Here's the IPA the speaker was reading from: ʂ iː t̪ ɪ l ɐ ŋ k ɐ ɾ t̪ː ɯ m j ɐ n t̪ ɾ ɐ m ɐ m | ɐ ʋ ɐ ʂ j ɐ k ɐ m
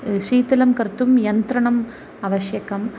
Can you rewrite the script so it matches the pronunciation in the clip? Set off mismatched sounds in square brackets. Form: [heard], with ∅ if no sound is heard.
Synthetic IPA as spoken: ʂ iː t̪ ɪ l ɐ [m] k ɐ ɾ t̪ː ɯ m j ɐ n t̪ ɾ ɐ [ɳ] ɐ m | ɐ ʋ ɐ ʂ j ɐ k ɐ m